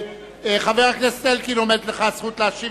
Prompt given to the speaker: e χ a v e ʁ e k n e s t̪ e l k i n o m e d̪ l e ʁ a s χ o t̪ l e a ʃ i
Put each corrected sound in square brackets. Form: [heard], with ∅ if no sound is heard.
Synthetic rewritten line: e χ a v e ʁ [a] k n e s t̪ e l k i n o m e d̪ l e [χ] a s χ [u] t̪ l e a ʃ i